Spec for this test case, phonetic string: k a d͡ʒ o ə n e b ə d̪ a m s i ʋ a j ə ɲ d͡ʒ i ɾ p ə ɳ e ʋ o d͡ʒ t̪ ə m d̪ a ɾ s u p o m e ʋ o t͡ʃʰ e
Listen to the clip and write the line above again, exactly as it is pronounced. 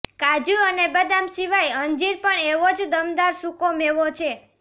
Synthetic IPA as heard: k a d͡ʒ u ə n e b ə d̪ a m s i ʋ a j ə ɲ d͡ʒ i ɾ p ə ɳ e ʋ o d͡ʒ d̪ ə m d̪ a ɾ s u k o m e ʋ o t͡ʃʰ e